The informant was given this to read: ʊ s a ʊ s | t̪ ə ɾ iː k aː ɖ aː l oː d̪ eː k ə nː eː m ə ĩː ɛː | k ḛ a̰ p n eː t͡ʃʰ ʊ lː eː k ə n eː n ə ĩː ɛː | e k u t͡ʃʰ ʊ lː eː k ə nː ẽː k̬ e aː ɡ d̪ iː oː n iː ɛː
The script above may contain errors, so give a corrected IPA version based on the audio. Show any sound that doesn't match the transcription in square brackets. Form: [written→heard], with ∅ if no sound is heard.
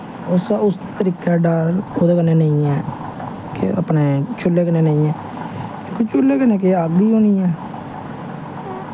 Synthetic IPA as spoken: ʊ s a ʊ s | t̪ ə ɾ iː k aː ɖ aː [l→ɾ] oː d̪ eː k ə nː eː [m→n] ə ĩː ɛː | k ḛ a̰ p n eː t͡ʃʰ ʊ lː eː k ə n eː n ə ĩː ɛː | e k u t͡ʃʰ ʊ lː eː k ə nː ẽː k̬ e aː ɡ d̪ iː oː n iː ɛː